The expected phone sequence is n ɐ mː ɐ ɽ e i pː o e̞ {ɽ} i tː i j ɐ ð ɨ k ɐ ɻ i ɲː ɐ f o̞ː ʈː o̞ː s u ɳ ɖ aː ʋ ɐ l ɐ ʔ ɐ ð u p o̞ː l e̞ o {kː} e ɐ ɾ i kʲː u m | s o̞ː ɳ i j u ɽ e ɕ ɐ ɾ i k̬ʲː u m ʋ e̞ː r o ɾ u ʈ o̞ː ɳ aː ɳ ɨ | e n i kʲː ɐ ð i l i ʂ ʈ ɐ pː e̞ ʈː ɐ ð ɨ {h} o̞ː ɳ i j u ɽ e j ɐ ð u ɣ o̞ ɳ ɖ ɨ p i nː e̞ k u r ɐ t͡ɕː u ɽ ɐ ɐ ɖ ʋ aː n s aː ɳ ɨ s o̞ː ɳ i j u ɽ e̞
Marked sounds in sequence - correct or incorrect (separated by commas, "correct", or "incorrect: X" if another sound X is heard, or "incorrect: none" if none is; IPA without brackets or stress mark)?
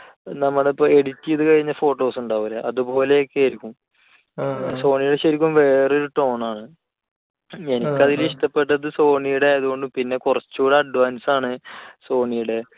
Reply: correct, correct, incorrect: s